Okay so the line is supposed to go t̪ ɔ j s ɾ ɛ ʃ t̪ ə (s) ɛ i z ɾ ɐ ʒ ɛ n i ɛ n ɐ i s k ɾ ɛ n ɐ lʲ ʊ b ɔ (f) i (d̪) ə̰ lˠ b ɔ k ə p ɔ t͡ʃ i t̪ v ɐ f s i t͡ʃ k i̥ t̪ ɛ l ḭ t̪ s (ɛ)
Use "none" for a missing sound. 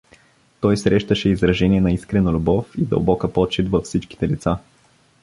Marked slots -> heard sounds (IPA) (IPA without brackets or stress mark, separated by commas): ʃ, f, d̪, a